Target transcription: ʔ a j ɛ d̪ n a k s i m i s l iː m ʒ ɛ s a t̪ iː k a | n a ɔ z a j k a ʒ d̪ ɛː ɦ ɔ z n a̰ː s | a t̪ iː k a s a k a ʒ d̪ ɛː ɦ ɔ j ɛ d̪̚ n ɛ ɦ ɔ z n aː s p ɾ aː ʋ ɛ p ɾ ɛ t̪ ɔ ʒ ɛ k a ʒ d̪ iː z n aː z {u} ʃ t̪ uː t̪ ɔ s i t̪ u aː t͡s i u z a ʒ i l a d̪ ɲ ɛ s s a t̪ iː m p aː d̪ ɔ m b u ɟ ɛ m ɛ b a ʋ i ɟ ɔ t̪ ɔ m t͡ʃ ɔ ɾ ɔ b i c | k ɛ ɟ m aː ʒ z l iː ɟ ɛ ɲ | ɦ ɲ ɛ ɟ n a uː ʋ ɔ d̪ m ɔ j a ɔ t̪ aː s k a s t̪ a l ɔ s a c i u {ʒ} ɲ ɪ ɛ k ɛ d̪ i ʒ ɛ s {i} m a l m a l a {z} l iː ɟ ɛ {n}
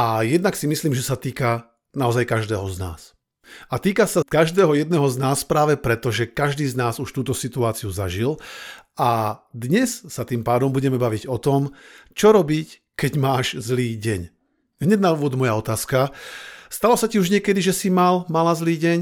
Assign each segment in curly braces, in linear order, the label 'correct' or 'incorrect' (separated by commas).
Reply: correct, correct, correct, correct, incorrect